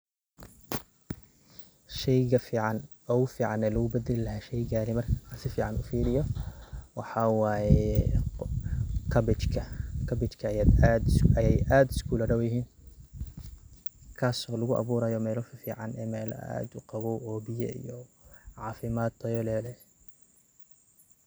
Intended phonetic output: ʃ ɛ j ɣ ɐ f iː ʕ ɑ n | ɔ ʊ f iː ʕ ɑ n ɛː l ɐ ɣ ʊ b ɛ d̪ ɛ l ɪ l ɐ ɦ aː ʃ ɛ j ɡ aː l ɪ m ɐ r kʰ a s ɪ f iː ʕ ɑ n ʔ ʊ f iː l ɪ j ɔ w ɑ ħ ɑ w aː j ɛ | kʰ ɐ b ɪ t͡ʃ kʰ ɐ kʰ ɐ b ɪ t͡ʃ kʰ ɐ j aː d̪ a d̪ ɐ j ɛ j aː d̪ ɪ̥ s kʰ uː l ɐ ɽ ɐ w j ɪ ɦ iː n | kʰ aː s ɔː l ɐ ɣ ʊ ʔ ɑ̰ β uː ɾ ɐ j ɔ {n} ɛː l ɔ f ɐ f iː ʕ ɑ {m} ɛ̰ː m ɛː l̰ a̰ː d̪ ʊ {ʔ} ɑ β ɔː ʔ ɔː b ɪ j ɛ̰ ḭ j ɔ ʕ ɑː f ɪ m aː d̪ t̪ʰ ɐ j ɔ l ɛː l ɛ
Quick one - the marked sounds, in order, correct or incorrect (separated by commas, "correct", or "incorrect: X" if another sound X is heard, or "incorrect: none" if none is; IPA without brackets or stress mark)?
incorrect: m, incorrect: n, incorrect: q